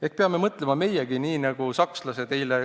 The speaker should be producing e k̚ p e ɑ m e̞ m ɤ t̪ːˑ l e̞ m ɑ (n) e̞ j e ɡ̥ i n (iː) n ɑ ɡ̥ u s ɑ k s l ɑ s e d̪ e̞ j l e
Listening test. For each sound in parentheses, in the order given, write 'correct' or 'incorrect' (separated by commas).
incorrect, correct